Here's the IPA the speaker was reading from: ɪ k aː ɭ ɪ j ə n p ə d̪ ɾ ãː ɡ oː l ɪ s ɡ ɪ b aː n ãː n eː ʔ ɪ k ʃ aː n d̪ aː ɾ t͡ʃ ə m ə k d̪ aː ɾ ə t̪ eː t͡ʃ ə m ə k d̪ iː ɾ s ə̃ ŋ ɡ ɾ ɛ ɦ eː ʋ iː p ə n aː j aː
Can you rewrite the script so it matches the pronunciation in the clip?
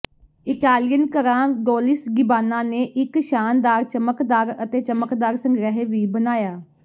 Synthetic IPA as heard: ɪ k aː l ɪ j ə n k ə ɾ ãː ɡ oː l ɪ s ɡ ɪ b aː n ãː n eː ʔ ɪ k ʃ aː n d̪ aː ɾ t͡ʃ ə m ə k d̪ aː ɾ ə t̪ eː t͡ʃ ə m ə k d̪ aː ɾ s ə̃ ŋ ɡ ɾ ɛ ɦ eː ʋ iː b ə n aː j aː